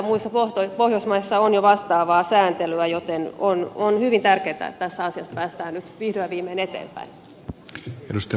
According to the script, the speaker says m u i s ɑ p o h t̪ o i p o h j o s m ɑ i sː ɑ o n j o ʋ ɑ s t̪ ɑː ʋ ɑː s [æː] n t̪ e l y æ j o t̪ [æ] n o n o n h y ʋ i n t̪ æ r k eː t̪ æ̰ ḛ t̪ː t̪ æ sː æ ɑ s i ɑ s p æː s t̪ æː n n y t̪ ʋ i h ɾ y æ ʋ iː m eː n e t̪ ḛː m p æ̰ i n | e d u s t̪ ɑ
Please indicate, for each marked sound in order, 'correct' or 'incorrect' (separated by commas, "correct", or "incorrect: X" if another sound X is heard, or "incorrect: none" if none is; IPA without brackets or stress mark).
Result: correct, incorrect: e